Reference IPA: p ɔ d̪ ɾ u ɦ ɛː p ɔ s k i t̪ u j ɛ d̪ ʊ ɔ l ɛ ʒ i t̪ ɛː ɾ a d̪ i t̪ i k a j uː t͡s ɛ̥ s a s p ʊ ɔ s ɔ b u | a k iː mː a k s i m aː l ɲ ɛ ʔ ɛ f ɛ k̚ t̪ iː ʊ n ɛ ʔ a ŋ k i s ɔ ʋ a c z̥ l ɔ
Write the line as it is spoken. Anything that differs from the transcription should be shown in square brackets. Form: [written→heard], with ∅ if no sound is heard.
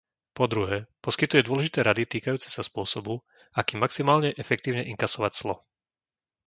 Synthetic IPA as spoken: p ɔ d̪ ɾ u ɦ ɛː p ɔ s k i t̪ u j ɛ d̪ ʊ ɔ l ɛ ʒ i t̪ ɛː ɾ a d̪ i t̪ [i→iː] k a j uː t͡s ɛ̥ s a s p ʊ ɔ s ɔ b u | a k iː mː a k s i m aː l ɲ ɛ ʔ ɛ f ɛ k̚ t̪ iː ʊ [n→ɲ] ɛ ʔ [a→i] ŋ k [i→a] s ɔ ʋ a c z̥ l ɔ